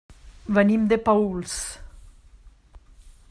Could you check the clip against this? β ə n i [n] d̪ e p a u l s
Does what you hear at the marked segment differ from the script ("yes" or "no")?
yes